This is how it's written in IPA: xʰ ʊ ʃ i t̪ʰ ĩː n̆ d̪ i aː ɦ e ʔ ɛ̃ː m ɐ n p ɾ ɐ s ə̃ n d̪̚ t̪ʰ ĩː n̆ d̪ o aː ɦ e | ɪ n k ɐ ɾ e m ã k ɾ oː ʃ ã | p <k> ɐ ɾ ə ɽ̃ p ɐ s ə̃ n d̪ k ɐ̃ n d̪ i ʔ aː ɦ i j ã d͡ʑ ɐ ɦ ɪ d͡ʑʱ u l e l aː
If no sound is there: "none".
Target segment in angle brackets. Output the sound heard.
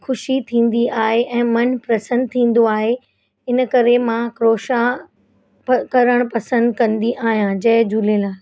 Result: k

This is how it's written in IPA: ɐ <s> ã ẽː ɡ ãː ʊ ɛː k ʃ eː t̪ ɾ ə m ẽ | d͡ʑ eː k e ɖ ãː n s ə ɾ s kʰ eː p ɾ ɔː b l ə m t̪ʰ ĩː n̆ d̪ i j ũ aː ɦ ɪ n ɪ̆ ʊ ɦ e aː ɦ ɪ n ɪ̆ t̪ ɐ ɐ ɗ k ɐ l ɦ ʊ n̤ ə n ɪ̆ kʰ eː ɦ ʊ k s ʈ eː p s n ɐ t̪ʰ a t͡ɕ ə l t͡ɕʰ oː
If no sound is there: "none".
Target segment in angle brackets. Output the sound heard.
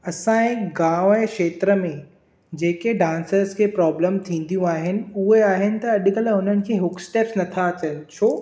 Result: s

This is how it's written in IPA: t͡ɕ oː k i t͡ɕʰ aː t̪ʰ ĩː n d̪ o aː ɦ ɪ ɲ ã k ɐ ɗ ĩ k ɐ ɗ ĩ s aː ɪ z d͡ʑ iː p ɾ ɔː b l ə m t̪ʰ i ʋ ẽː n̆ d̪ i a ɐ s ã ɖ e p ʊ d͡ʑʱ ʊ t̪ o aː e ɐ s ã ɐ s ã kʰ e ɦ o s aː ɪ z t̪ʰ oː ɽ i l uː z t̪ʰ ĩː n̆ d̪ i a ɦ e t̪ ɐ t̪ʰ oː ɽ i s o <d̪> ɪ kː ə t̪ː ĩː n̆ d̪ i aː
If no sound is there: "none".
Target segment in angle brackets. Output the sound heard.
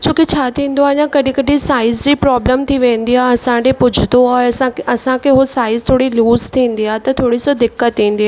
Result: d̪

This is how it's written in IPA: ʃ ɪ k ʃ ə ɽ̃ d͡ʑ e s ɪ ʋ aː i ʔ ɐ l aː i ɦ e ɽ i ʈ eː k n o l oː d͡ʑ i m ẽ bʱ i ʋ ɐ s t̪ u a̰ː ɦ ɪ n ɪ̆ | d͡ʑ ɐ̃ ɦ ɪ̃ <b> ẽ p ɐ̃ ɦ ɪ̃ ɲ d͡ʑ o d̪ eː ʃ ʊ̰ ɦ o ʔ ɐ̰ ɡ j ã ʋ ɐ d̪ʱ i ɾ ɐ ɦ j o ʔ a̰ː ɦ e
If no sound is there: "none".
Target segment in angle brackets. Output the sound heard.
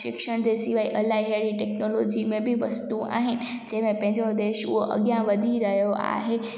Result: m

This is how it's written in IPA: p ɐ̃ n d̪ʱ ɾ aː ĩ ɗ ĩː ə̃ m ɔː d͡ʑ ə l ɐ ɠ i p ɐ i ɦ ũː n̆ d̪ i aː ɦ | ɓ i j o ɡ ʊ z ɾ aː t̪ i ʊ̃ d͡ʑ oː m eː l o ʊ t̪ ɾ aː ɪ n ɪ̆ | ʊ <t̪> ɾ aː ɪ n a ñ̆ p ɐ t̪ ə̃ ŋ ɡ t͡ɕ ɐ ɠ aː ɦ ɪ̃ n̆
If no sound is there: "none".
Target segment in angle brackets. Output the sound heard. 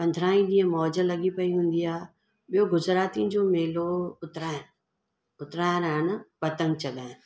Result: t̪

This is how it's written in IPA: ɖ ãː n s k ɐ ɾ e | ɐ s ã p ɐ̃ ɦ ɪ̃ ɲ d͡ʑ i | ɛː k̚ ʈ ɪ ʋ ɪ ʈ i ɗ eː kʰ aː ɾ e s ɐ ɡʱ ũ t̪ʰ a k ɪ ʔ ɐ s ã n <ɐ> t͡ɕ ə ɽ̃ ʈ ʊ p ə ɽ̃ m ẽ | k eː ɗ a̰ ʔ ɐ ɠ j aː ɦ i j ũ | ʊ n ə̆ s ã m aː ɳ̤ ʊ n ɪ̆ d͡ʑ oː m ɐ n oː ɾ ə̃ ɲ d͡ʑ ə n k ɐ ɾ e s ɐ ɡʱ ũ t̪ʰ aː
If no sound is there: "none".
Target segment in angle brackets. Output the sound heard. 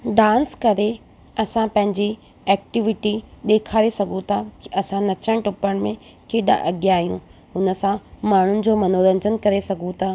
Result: ɐ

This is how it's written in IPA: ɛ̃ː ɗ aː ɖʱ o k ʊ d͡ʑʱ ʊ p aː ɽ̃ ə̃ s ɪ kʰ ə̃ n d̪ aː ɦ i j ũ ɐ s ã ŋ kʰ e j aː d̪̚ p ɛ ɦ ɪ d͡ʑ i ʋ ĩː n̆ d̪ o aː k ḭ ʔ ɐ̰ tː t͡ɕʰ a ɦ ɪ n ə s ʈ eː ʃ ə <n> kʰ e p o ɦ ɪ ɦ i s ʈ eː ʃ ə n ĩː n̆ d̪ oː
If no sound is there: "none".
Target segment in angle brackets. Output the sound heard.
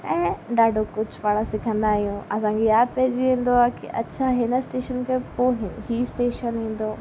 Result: n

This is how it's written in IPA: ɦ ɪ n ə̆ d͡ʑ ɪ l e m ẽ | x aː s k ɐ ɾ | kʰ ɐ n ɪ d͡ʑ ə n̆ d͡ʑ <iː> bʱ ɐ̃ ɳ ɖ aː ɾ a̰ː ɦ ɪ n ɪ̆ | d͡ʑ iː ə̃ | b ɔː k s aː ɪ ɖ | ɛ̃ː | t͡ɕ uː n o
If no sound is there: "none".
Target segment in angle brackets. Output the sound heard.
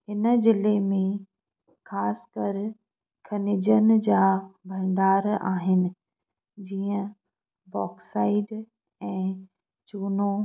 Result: aː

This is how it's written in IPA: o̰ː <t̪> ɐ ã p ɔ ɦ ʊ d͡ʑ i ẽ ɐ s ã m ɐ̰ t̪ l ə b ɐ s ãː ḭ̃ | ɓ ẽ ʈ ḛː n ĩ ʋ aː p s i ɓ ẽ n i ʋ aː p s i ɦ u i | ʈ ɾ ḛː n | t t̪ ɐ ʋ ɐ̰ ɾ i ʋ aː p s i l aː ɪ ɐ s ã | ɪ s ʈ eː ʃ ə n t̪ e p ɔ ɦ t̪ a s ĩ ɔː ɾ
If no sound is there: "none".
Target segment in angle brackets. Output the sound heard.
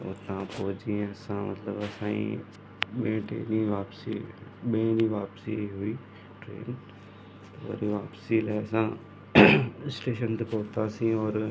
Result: t̪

